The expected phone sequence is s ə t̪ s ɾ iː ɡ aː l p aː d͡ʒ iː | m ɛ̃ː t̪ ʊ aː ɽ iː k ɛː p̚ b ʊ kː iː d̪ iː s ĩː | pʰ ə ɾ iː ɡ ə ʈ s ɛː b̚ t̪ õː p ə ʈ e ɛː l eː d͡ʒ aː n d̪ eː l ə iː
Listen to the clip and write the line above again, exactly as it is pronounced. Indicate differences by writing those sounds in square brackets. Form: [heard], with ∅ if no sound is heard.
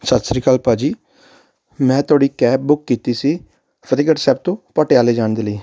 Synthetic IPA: s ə t̪ s ɾ iː [k] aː l p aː d͡ʒ iː | m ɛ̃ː t̪ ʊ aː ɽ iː k ɛː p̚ b ʊ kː iː [t̪] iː s [iː] | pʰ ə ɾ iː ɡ ə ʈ s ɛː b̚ t̪ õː p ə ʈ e [aː] l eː d͡ʒ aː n d̪ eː l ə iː